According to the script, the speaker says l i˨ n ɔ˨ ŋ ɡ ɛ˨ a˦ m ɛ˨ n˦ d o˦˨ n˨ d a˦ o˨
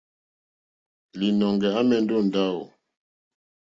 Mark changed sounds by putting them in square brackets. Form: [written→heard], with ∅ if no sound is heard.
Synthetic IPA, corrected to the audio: l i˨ n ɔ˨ ŋ ɡ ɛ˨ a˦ m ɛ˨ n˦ d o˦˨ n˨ d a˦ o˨